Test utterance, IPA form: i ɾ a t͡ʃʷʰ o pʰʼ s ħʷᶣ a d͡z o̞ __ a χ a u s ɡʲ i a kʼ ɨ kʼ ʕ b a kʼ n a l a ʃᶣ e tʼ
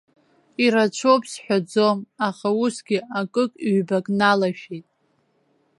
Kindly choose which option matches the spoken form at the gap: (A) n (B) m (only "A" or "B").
B